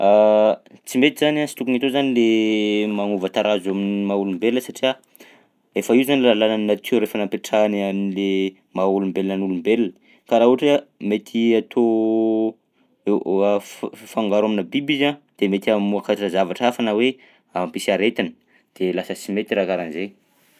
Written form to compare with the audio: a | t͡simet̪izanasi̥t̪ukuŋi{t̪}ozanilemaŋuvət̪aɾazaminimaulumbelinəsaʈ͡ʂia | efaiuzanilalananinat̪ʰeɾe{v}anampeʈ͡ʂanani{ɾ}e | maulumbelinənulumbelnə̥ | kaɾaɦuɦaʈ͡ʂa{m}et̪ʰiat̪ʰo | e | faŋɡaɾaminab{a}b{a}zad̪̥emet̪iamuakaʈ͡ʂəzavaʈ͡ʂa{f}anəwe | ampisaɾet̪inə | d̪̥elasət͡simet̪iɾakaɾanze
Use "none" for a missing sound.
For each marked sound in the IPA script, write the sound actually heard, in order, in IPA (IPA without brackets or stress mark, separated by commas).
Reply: t̪, f, l, m, i, i, f